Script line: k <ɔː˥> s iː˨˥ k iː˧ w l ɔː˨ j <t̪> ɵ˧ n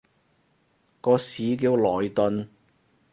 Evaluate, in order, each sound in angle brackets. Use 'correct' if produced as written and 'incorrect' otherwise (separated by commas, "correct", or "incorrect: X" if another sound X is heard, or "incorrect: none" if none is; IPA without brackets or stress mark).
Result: incorrect: ɔː˧, correct